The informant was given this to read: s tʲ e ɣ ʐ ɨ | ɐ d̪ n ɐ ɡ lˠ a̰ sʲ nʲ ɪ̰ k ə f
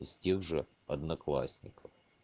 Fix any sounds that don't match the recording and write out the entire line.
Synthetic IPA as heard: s tʲ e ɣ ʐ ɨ | ɐ d̪ n ɐ k lˠ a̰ sʲ nʲ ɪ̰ k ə f